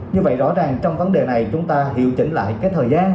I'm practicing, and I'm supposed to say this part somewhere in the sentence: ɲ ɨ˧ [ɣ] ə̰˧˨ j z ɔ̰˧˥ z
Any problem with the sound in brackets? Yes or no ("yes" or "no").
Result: yes